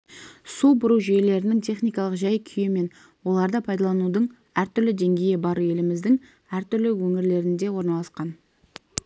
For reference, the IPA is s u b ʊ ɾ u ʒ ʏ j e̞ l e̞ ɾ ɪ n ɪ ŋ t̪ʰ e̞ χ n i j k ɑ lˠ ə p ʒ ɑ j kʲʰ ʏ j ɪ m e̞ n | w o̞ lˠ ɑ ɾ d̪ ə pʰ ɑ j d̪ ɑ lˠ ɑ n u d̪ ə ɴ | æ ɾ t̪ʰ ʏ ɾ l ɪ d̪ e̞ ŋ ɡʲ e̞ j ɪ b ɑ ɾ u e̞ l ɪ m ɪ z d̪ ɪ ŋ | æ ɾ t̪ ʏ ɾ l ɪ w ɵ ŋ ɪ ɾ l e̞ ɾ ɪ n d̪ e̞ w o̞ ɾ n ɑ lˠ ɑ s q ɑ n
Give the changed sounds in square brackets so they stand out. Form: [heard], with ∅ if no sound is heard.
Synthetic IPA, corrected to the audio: s u b ʊ ɾ u ʒ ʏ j e̞ l e̞ ɾ ɪ n ɪ ŋ t̪ʰ e̞ χ n i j k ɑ lˠ ə [q] ʒ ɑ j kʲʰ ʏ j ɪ m e̞ n | w o̞ lˠ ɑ ɾ d̪ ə pʰ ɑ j d̪ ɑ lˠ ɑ n u d̪ ə ɴ | æ ɾ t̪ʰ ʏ ɾ l ɪ d̪ e̞ ŋ ɡʲ e̞ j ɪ b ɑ ɾ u e̞ l ɪ m ɪ z d̪ ɪ ŋ | æ ɾ t̪ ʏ ɾ l ɪ w ɵ ŋ ɪ ɾ l e̞ ɾ ɪ n d̪ e̞ w o̞ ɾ n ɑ lˠ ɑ s q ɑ n

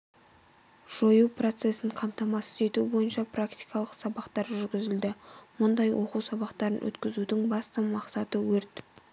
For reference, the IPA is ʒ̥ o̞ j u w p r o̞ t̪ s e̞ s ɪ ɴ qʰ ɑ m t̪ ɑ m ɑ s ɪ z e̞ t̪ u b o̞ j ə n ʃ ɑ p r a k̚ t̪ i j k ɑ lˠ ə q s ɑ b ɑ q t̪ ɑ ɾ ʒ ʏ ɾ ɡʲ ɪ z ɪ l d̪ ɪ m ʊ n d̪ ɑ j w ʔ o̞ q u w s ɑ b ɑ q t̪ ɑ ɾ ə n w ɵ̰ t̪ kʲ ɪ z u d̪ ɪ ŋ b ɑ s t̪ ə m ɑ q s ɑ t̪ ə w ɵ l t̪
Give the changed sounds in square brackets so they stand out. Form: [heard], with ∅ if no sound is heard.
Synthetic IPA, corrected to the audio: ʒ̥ o̞ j u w p r o̞ t̪ s e̞ s ɪ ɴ qʰ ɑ m t̪ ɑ m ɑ s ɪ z e̞ t̪ u b o̞ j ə n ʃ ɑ p r a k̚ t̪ i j k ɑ lˠ ə q s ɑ b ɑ q t̪ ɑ ɾ ʒ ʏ ɾ ɡʲ ɪ z ɪ l d̪ ɪ m ʊ n d̪ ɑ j w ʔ o̞ q u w s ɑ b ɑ q t̪ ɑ ɾ ə n w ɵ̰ t̪ kʲ ɪ z u d̪ ɪ ŋ b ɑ s t̪ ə m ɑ q s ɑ t̪ ə w ɵ [ɾ] t̪

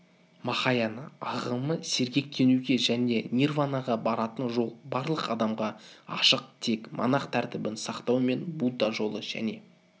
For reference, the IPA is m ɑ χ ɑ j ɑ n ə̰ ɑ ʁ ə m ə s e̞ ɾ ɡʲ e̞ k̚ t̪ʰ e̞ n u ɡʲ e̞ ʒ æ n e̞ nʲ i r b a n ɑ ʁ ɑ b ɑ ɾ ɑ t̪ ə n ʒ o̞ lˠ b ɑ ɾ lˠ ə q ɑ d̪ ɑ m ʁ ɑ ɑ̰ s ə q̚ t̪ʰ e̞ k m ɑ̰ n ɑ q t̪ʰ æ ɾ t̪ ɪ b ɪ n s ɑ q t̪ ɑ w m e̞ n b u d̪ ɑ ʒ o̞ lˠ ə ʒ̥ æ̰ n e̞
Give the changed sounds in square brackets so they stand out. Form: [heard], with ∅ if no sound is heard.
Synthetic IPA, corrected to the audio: m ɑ χ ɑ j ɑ n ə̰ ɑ ʁ ə m ə s e̞ ɾ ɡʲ e̞ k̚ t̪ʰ e̞ n u ɡʲ e̞ ʒ æ n e̞ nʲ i r [v] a n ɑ ʁ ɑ b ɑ ɾ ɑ t̪ ə n ʒ o̞ lˠ b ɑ ɾ lˠ ə q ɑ d̪ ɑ m ʁ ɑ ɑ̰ [ʃ] ə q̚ t̪ʰ e̞ k m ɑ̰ n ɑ q t̪ʰ æ ɾ t̪ ɪ b ɪ n s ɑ q t̪ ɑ w m e̞ n b u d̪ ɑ ʒ o̞ lˠ ə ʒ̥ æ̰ n e̞

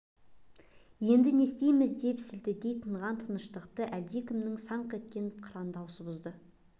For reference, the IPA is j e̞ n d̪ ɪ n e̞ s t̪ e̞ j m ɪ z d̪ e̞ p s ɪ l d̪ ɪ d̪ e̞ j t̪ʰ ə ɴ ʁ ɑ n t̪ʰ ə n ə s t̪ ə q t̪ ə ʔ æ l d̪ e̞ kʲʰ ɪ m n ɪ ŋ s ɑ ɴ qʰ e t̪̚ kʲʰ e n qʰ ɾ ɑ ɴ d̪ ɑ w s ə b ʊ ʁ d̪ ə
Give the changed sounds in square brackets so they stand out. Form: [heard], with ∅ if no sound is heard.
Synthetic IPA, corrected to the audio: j e̞ n d̪ ɪ n e̞ s t̪ e̞ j m ɪ z d̪ e̞ p s ɪ l d̪ ɪ d̪ e̞ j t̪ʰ ə ɴ ʁ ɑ n t̪ʰ ə n ə [ʃ] t̪ ə q t̪ ə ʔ æ l d̪ e̞ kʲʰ ɪ m n ɪ ŋ s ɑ ɴ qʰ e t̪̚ [kʲ] e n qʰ ɾ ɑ [n] d̪ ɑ w s ə b ʊ [z] d̪ ə

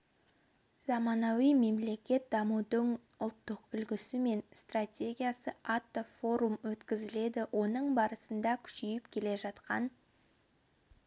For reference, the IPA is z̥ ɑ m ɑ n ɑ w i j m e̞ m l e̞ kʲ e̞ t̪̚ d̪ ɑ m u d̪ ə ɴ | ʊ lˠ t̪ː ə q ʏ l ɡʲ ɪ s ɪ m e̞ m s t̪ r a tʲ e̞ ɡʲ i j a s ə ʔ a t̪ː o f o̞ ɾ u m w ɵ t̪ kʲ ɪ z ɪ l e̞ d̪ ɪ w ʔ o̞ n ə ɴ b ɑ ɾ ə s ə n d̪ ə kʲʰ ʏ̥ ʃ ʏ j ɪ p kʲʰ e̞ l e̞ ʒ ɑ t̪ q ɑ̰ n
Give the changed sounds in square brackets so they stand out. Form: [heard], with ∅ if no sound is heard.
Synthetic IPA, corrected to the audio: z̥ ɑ m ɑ n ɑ w i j m e̞ m l e̞ kʲ e̞ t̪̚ d̪ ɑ m u d̪ ə ɴ | ʊ lˠ t̪ː ə q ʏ l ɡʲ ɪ s ɪ m e̞ [n] s t̪ r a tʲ e̞ ɡʲ i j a s ə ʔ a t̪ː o f o̞ ɾ u m w ɵ t̪ kʲ ɪ z ɪ l e̞ d̪ ɪ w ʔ o̞ n ə ɴ b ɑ ɾ ə s ə n d̪ [ɑ] kʲʰ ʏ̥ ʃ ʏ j ɪ p kʲʰ e̞ l e̞ ʒ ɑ t̪ q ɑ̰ n

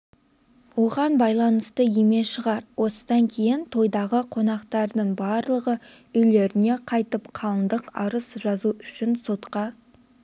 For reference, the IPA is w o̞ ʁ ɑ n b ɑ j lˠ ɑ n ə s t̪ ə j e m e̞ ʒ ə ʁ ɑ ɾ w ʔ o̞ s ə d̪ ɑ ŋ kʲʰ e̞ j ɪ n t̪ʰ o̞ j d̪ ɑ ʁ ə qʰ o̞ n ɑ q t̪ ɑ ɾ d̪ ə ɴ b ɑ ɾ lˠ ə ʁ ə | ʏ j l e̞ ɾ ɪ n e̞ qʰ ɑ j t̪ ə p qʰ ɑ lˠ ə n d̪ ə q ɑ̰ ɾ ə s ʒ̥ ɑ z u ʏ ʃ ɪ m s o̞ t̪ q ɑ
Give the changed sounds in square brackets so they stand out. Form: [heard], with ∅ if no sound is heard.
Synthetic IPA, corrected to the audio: w o̞ ʁ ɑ n b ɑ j lˠ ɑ n ə s t̪ ə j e m e̞ [ʃ] ə ʁ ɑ ɾ w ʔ o̞ s ə d̪ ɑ ŋ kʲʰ e̞ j ɪ n t̪ʰ o̞ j d̪ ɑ ʁ ə qʰ o̞ n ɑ q t̪ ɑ ɾ d̪ ə ɴ b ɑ ɾ lˠ ə ʁ ə | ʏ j l e̞ ɾ ɪ n e̞ qʰ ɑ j t̪ ə p qʰ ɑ lˠ ə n d̪ ə q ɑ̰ ɾ ə s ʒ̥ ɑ z u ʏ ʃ ɪ [n] s o̞ t̪ q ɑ

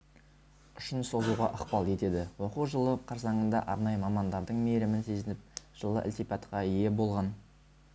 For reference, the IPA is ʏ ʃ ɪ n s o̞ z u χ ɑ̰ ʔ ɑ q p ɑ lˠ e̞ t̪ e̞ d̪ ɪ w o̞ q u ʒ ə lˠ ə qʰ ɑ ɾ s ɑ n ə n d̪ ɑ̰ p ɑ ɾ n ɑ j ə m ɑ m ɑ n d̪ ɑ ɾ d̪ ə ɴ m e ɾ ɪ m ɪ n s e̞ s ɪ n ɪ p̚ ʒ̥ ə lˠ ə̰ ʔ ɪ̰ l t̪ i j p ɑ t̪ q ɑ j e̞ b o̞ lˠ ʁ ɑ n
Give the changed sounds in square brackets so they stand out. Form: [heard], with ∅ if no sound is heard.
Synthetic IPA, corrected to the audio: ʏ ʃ ɪ n s o̞ z u [ʁ] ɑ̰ ʔ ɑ q p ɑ lˠ e̞ t̪ e̞ d̪ ɪ w o̞ q u ʒ ə lˠ ə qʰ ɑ ɾ s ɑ [ɴ] ə n d̪ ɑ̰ [ʔ] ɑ ɾ n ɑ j ə m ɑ m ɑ n d̪ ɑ ɾ d̪ ə ɴ m e ɾ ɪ m ɪ n s e̞ [z] ɪ n ɪ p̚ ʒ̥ ə lˠ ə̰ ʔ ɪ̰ l t̪ i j p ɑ t̪ q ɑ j e̞ b o̞ lˠ ʁ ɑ n

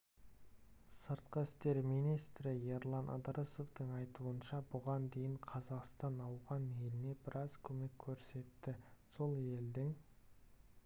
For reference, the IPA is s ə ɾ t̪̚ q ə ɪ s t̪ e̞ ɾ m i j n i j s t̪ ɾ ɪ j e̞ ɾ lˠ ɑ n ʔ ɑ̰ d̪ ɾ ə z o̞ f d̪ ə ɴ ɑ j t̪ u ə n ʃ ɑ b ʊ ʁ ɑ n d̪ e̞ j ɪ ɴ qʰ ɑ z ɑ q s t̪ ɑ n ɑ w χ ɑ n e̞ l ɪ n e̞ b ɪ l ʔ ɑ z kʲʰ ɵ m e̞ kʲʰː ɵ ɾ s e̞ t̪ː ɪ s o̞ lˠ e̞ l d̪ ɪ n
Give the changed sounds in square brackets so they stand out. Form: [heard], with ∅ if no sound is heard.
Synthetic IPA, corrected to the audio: s ə ɾ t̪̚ q ə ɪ s t̪ e̞ ɾ m i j n i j s t̪ ɾ ɪ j e̞ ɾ lˠ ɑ n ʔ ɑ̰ d̪ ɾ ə [s] o̞ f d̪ ə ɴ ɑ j t̪ u ə n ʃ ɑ b ʊ ʁ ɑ n d̪ e̞ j ɪ ɴ qʰ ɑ z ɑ q s t̪ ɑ n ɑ w [ʁ] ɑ n e̞ l ɪ n e̞ b ɪ [ɾ] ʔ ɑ z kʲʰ ɵ m e̞ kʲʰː ɵ ɾ s e̞ t̪ː ɪ s o̞ lˠ e̞ l d̪ ɪ [ŋ]

